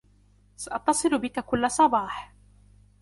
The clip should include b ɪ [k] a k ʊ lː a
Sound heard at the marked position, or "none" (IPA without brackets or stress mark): k